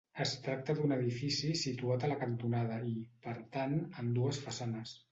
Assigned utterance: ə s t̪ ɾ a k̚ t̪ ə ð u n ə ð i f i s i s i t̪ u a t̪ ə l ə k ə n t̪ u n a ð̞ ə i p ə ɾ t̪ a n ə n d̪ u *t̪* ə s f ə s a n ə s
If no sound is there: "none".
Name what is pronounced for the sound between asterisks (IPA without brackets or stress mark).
none